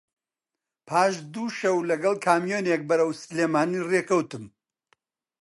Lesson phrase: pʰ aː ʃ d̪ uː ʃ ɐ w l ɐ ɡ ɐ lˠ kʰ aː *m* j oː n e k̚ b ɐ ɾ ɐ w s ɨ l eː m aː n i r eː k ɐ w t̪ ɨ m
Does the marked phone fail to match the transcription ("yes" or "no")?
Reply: no